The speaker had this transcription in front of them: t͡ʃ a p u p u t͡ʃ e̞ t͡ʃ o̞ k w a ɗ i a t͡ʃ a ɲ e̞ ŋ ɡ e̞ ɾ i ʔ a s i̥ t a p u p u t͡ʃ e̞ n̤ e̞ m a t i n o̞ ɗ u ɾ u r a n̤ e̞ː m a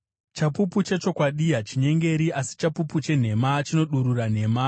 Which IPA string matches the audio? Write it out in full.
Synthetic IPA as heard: t͡ʃ a p u p u t͡ʃ e̞ t͡ʃ o̞ k w a ɗ i a t͡ʃ i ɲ e̞ ŋ ɡ e̞ ɾ i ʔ a s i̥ t͡ʃ a p u p u t͡ʃ e̞ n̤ e̞ m a t͡ʃ i n o̞ ɗ u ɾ u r a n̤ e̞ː m a